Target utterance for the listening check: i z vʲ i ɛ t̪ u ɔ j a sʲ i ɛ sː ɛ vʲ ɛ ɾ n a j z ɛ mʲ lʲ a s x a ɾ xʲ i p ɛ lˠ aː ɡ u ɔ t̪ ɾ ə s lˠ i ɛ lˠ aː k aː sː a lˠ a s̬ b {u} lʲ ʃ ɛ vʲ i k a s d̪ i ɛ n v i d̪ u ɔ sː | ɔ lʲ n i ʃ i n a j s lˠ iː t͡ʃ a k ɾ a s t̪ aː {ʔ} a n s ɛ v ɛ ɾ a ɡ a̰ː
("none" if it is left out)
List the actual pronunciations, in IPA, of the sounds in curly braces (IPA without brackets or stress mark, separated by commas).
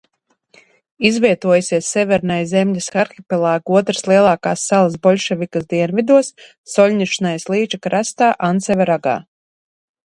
ɔ, ʔ